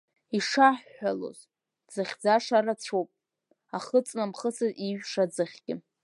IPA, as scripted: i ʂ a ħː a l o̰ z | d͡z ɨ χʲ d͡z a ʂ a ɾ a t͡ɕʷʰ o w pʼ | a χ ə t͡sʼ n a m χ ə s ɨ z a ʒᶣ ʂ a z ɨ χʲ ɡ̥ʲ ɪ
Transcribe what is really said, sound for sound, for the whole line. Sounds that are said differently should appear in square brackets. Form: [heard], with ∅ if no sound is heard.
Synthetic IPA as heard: i ʂ a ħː a l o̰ z | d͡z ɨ χʲ d͡z a ʂ a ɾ a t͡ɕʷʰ o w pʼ | a χ ə t͡sʼ n a m χ ə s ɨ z [i] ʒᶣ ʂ a [d͡z] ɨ χʲ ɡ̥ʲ ɪ